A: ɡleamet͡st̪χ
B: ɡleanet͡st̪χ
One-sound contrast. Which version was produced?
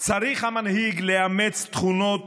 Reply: A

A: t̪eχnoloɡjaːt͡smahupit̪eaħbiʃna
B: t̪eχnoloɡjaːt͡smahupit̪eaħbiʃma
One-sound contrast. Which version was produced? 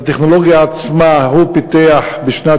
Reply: A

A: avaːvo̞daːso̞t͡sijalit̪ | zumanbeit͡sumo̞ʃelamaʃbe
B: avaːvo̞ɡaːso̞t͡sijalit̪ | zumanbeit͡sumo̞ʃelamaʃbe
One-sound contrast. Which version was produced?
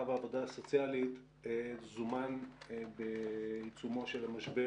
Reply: A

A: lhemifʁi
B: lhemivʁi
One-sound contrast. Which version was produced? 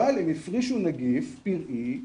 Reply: A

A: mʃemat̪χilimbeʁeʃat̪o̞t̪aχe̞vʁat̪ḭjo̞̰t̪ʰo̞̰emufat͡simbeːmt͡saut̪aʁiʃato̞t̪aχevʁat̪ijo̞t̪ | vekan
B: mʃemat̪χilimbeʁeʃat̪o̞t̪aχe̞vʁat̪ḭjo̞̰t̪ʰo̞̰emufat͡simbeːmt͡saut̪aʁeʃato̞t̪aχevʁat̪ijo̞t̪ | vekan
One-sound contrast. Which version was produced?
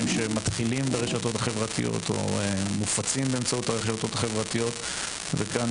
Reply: B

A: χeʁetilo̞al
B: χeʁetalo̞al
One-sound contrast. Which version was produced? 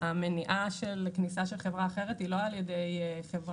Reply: A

